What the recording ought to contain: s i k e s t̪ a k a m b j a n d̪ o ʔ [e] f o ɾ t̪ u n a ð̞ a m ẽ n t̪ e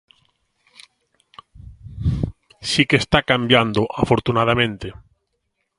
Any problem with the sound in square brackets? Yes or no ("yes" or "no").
yes